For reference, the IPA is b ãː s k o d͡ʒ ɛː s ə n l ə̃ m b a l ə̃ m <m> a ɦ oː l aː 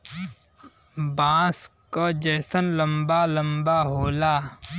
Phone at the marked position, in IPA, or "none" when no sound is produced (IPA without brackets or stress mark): b